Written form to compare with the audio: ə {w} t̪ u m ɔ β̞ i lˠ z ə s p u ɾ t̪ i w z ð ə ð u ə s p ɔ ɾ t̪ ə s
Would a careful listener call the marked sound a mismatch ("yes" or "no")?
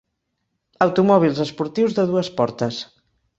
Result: no